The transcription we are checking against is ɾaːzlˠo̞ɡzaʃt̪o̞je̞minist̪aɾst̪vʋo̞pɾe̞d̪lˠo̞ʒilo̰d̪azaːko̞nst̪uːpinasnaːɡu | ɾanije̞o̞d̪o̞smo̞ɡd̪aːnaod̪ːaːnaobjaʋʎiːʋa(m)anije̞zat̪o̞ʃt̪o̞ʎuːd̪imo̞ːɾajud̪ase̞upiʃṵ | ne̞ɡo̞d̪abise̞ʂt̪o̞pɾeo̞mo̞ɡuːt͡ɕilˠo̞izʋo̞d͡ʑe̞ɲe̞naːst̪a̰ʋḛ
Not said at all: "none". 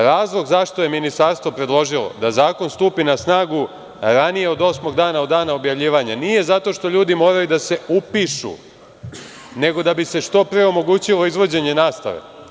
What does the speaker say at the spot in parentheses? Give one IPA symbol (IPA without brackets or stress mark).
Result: ɲ